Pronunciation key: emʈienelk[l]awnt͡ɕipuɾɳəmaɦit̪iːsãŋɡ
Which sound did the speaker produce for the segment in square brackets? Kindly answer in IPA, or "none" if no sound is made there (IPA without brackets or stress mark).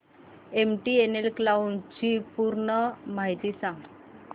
l